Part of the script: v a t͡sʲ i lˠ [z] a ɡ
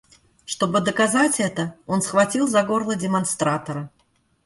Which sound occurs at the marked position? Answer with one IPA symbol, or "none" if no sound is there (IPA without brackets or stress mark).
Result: z